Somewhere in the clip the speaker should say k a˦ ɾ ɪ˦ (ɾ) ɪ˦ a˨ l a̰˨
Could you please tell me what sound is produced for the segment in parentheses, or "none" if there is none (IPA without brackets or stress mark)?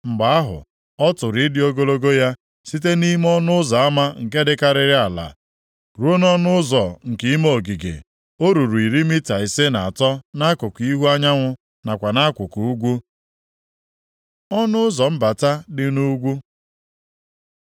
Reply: ɾ